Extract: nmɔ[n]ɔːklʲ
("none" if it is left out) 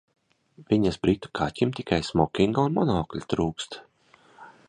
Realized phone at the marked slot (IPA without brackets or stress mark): n